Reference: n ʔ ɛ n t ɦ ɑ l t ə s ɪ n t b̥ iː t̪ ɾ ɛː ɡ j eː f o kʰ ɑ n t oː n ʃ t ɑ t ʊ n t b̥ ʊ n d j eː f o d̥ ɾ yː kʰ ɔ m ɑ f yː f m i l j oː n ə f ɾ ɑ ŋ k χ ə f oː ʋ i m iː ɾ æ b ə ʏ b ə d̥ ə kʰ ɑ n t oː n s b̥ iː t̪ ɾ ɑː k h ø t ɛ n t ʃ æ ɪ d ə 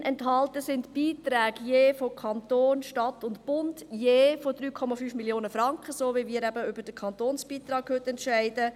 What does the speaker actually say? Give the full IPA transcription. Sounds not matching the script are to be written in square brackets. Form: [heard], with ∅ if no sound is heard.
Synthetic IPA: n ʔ ɛ n t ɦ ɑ l t ə s ɪ n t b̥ iː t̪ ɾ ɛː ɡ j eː f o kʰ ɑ n t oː n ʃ t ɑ t ʊ n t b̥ ʊ n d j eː f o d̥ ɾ yː kʰ ɔ m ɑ f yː f m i l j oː n ə f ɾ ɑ ŋ k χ ə [s] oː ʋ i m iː ɾ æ b ə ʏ b ə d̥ ə kʰ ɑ n t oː n s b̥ iː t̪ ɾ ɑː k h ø t ɛ n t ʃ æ ɪ d ə